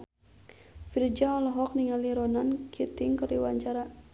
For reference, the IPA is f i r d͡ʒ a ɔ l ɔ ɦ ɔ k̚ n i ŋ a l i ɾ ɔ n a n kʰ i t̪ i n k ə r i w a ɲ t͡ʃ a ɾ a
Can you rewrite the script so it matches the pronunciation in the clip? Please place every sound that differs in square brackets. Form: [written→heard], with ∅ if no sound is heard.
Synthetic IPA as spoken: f i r d͡ʒ a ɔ l ɔ ɦ ɔ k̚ n i ŋ a l i ɾ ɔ n a n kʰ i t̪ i [n→ŋ] k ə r i w a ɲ t͡ʃ a ɾ a

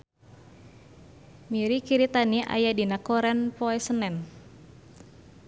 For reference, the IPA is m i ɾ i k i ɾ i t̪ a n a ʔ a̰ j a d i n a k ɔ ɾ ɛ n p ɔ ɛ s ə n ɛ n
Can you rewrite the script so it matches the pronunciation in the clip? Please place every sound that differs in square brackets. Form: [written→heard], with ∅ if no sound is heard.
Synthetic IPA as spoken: m i ɾ i k i ɾ i t̪ a n [a→i] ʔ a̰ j a d i n a k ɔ ɾ ɛ n p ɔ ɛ s ə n ɛ n

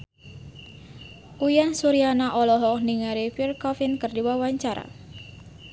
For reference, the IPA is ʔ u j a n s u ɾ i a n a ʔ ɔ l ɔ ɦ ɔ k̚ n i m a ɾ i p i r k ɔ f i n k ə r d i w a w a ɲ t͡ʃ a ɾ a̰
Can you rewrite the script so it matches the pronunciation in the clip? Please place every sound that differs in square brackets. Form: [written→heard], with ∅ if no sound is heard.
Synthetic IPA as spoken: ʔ u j a n s u ɾ i a n a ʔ ɔ l ɔ ɦ ɔ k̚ n i [m→ŋ] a ɾ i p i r k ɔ f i n k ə r d i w a w a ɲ t͡ʃ a ɾ a̰

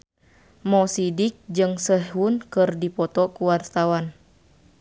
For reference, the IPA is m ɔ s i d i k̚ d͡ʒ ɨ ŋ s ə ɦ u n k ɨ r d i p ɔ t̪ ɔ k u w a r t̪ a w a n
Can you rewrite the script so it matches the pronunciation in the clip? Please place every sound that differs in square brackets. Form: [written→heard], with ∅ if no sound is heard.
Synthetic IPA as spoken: m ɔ s i d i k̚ d͡ʒ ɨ ŋ s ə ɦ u n k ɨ r d i p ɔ t̪ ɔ k u w a r t̪ a w a n

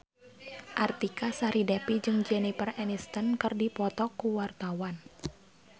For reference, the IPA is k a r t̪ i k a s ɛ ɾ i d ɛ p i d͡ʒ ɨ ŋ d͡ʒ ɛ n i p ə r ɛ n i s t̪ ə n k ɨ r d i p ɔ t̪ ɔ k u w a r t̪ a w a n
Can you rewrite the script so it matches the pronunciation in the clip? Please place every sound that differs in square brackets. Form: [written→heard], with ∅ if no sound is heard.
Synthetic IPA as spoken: [k→ʔ] a r t̪ i k a s [ɛ→a] ɾ i d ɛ p i d͡ʒ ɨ ŋ d͡ʒ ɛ n i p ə r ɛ n i s t̪ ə n k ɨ r d i p ɔ t̪ ɔ k u w a r t̪ a w a n

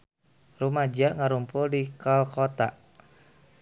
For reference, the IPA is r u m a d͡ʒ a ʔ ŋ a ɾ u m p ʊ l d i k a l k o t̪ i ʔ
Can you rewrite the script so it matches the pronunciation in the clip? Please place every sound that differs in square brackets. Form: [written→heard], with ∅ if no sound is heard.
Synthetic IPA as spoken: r u m a d͡ʒ a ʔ ŋ a ɾ u m p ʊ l d i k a l k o t̪ [i→a] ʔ

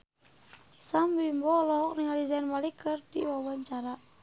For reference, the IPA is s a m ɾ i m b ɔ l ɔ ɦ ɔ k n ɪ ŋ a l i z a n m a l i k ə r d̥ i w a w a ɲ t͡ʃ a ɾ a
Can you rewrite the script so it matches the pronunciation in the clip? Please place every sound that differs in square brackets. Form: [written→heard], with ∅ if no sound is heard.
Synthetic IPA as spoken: s a m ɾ i m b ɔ l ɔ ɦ ɔ k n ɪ ŋ a l i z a n m a l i k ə r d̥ i w a w a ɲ t͡ʃ a ɾ a

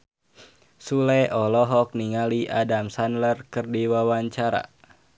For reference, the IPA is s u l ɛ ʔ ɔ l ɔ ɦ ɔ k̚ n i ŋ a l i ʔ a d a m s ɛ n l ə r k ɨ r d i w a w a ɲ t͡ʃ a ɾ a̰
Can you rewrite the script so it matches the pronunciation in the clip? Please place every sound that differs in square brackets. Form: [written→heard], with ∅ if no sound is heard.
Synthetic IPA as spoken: s u l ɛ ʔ ɔ l ɔ ɦ ɔ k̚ n i ŋ a l i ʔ a d a m s [ɛ→a] n l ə r k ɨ r d i w a w a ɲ t͡ʃ a ɾ a̰

